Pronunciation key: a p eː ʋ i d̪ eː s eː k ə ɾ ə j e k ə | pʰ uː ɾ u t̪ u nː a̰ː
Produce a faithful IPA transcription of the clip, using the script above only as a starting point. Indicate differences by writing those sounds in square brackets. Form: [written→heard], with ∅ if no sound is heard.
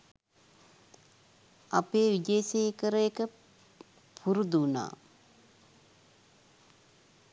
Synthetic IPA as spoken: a p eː ʋ i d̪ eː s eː k ə ɾ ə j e k ə | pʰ [uː→u] ɾ u [t̪→d̪] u [nː→n] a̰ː